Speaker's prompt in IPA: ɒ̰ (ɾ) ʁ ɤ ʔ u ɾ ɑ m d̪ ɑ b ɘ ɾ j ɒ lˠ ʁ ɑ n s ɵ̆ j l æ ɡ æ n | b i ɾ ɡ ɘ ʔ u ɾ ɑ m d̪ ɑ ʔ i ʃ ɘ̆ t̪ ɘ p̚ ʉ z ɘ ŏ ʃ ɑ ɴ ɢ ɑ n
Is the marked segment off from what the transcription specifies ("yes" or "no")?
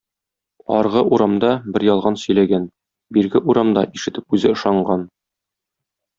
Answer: no